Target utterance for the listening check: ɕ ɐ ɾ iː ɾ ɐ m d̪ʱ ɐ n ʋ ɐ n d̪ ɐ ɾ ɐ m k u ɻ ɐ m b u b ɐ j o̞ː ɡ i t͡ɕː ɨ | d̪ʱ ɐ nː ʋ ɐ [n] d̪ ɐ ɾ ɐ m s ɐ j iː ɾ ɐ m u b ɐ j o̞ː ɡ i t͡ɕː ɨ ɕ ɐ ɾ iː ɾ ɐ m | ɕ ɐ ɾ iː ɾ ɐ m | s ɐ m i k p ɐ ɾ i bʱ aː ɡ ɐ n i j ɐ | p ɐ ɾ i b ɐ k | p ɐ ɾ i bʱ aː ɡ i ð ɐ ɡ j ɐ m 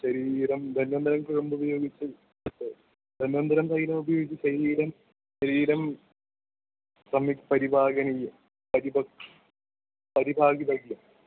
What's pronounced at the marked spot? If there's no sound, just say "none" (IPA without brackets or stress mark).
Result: n